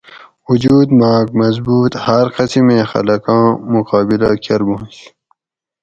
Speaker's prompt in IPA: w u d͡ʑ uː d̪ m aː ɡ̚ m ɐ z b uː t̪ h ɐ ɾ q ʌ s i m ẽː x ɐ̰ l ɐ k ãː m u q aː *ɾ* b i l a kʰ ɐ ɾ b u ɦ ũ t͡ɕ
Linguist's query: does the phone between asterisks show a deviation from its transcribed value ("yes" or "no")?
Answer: yes